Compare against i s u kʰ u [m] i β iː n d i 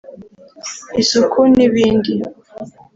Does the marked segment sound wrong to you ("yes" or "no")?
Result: yes